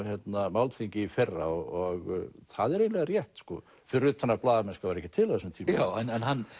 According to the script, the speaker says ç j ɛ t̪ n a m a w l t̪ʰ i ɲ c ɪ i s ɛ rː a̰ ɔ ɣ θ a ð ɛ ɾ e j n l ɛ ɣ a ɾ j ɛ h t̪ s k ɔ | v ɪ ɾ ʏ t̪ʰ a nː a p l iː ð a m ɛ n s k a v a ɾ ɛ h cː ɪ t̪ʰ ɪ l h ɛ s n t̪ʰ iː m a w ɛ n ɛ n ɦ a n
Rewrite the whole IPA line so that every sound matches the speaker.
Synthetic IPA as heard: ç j ɛ t̪ n a m a w l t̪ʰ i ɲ c ɪ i f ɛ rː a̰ ɔ ɣ θ a ð ɛ ɾ e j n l ɛ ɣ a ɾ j ɛ h t̪ s k ɔ | f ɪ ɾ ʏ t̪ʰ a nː a p l aː ð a m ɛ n s k a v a ɾ ɛ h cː ɪ t̪ʰ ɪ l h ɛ s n t̪ʰ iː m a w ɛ n ɛ n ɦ a n